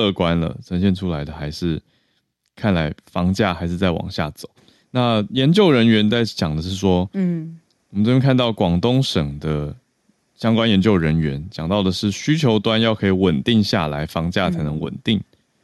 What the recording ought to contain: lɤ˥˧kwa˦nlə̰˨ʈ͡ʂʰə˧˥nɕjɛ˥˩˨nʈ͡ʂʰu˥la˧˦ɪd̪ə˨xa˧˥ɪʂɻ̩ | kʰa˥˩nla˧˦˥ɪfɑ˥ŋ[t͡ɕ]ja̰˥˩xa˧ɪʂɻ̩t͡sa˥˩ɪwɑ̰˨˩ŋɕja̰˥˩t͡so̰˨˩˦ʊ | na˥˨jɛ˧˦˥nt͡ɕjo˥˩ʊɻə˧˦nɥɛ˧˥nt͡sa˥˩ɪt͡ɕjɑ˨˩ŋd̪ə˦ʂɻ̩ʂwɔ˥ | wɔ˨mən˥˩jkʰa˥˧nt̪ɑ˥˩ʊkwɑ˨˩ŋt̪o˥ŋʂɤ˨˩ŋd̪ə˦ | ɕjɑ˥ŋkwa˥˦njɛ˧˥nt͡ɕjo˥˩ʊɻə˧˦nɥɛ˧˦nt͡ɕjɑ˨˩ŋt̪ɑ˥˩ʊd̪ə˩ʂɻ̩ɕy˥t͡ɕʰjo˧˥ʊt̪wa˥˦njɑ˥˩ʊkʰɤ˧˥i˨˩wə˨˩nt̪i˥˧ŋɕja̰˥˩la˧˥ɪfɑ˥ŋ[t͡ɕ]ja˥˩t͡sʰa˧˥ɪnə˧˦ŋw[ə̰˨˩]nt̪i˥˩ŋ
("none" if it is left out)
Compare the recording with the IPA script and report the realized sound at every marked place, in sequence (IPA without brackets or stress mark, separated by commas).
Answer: t͡ɕ, t͡ɕ, ə̰˨˩